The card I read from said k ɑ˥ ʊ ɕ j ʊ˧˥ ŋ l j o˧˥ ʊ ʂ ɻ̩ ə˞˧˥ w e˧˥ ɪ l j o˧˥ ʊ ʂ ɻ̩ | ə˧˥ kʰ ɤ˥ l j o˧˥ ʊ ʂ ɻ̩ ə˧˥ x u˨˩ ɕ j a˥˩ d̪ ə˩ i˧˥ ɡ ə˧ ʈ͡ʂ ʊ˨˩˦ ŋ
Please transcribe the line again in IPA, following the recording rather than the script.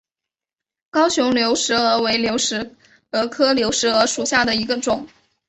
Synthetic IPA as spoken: k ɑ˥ ʊ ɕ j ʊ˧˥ ŋ l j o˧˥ ʊ ʂ ɻ̩ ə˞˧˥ w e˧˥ ɪ l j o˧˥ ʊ ʂ ɻ̩ | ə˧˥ kʰ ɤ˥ l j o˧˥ ʊ ʂ ɻ̩ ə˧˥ ʂ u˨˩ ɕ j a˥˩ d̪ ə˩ i˧˥ ɡ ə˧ ʈ͡ʂ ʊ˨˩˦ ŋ